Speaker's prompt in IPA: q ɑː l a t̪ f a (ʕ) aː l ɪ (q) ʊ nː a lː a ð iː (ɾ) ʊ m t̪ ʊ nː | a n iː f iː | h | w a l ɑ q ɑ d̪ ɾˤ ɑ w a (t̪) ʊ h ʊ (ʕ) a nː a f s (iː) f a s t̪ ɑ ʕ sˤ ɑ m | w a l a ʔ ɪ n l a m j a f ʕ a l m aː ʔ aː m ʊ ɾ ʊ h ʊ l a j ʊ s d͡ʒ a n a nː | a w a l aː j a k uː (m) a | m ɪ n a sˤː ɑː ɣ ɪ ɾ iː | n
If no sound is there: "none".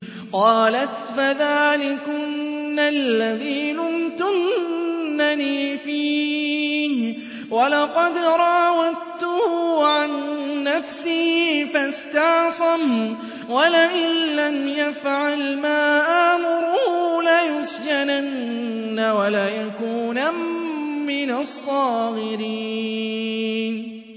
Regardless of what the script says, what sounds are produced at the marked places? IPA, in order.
ð, k, l, t̪, ʕ, iː, n

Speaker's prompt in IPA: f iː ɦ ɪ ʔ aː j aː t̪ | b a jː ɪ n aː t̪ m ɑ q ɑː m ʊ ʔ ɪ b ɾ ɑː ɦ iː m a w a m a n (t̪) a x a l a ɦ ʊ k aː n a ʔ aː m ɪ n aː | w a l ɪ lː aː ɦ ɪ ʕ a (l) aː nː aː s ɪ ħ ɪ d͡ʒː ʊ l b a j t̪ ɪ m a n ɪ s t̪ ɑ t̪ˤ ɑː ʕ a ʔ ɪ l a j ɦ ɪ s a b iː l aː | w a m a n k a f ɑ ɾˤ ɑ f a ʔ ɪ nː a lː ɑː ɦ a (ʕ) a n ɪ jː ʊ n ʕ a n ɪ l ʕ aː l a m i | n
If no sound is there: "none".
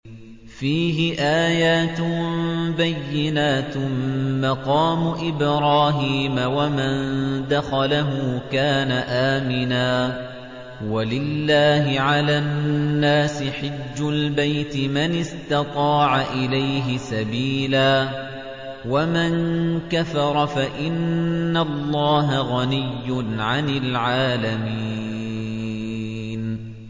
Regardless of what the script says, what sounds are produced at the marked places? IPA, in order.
d̪, l, ɣ

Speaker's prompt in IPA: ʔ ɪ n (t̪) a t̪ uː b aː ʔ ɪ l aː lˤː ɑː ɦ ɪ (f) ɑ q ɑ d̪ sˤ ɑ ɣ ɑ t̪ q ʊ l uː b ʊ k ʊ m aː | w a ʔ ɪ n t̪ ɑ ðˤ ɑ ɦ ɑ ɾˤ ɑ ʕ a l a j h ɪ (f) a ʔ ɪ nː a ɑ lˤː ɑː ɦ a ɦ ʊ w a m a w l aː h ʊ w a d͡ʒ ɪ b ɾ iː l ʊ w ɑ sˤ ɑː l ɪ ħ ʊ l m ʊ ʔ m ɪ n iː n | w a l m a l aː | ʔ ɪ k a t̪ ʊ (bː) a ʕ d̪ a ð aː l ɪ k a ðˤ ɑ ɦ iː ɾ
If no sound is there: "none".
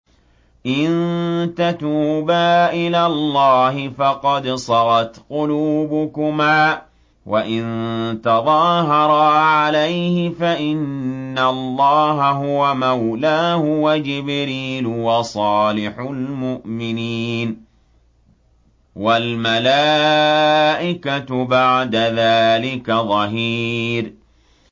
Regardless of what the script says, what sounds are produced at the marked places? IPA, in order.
t̪, f, f, b

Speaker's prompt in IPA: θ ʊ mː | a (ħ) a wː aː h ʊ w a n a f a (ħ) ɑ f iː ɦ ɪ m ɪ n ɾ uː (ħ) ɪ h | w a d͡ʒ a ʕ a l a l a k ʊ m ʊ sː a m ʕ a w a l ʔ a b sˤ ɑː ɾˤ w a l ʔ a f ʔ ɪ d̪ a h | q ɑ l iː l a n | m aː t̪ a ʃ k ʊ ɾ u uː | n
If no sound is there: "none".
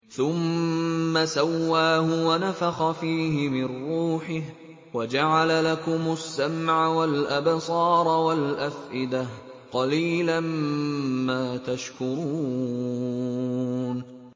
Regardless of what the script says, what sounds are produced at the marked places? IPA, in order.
s, x, ħ

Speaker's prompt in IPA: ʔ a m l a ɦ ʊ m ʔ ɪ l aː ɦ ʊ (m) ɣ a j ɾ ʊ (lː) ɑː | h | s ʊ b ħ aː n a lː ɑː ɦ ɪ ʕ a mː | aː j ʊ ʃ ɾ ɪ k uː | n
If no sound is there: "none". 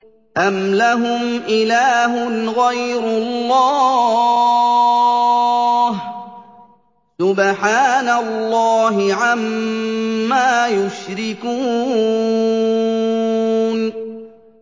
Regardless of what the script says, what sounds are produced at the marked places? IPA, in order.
n, lː

